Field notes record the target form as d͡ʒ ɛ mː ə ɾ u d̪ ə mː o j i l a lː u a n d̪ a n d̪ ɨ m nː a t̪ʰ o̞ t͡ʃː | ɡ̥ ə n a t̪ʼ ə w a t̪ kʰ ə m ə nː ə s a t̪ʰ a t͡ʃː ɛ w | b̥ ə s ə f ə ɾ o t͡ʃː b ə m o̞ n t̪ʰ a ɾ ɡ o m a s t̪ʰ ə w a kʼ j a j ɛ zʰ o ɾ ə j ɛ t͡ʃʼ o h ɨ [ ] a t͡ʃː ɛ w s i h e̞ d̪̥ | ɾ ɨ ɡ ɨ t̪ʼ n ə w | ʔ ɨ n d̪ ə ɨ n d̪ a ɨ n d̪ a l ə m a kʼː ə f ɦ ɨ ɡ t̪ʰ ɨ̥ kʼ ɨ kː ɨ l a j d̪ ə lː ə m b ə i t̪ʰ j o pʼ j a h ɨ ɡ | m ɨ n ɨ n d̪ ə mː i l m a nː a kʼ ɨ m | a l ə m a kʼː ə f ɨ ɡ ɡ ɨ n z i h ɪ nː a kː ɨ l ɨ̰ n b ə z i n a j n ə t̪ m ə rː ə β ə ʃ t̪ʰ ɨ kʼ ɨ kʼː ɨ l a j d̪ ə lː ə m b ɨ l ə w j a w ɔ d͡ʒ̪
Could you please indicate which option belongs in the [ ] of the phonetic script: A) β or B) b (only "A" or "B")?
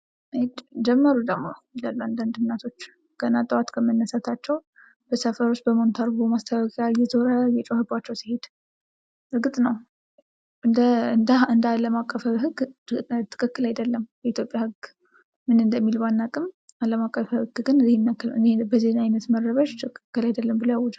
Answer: B